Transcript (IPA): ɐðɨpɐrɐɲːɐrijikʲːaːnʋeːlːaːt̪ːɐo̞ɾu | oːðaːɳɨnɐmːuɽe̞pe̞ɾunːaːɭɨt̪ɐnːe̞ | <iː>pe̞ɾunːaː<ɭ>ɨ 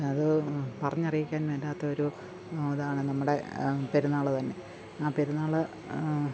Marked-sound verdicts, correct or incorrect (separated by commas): incorrect, correct